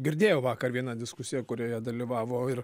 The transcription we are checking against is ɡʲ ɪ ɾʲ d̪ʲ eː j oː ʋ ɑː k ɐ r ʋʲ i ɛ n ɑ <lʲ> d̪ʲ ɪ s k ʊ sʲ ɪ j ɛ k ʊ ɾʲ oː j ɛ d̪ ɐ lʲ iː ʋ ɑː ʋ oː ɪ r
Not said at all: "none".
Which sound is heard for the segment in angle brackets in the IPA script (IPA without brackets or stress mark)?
none